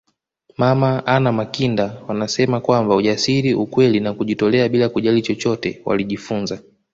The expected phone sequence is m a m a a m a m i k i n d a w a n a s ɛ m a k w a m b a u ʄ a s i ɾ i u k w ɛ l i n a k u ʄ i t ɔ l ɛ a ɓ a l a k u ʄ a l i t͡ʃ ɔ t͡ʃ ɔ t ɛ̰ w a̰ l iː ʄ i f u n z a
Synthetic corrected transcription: m a m a a n a m a k i n d a w a n a s ɛ m a k w a m b a u ʄ a s i ɾ i u k w ɛ l i n a k u ʄ i t ɔ l ɛ a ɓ i l a k u ʄ a l i t͡ʃ ɔ t͡ʃ ɔ t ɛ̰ w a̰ l i ʄ i f u n z a